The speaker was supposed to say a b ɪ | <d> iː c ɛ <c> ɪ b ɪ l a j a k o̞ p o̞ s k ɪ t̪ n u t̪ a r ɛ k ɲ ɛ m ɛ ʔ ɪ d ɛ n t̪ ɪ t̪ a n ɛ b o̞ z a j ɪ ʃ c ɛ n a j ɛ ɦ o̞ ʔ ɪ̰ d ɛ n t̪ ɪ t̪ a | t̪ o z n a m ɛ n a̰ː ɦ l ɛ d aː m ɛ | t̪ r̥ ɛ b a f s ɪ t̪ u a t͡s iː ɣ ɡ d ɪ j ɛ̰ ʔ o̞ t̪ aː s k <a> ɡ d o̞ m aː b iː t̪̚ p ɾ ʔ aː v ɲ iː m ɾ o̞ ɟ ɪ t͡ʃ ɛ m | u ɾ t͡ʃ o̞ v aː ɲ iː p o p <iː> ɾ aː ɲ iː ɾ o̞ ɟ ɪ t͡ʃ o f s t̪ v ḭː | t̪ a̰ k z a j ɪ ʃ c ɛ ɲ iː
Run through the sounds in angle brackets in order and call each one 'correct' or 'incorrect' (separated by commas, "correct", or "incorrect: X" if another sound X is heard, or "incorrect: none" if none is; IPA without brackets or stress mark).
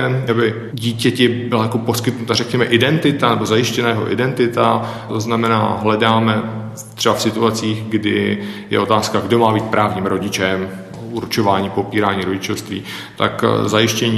incorrect: ɟ, correct, correct, correct